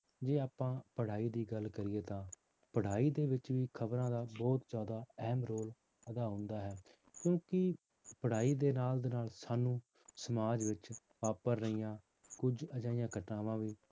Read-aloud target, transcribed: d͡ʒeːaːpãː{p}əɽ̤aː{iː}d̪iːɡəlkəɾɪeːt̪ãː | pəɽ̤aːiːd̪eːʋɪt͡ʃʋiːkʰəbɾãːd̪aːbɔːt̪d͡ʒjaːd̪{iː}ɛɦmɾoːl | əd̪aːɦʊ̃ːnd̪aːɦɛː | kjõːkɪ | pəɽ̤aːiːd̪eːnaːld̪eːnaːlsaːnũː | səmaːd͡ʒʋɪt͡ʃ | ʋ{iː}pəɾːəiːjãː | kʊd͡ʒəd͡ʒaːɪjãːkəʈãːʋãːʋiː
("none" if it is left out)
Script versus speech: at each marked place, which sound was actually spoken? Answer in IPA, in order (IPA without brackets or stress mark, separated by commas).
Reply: p, iː, aː, aː